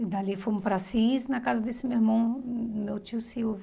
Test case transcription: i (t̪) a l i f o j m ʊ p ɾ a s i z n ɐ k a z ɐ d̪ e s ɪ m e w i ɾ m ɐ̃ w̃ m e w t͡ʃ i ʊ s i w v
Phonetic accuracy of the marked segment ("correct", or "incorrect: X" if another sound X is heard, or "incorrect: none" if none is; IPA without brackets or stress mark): incorrect: d̪